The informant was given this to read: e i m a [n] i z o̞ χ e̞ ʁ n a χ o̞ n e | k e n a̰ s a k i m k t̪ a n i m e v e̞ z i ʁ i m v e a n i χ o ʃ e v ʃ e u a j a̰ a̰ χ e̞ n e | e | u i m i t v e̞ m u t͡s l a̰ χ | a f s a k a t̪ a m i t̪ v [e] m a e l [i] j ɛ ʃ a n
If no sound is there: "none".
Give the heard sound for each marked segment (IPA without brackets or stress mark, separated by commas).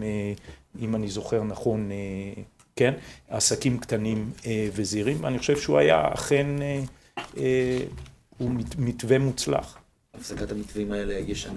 n, i, e